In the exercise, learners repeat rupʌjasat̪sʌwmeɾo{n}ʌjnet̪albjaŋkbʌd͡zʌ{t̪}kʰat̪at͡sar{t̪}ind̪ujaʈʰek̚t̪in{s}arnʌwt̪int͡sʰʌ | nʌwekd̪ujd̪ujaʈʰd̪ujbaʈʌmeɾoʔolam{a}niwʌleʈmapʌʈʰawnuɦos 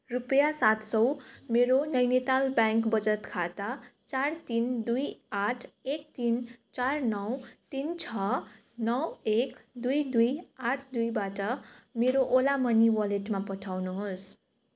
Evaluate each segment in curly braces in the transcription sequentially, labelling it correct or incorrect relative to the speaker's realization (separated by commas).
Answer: correct, correct, correct, incorrect, incorrect